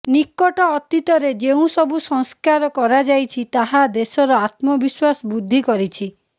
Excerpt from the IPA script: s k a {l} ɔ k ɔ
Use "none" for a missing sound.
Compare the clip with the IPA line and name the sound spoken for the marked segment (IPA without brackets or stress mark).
ɾ